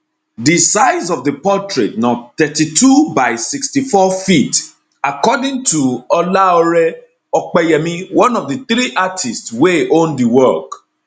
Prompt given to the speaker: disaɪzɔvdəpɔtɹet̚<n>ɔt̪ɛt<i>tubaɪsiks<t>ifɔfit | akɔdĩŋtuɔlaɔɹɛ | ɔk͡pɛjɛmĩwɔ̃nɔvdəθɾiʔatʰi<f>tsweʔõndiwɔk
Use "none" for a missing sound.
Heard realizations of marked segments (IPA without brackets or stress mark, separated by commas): n, i, t, s